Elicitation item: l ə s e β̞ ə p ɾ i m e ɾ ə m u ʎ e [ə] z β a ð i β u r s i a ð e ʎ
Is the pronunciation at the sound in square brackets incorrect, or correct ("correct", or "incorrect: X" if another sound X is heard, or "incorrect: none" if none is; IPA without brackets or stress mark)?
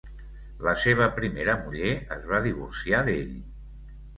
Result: correct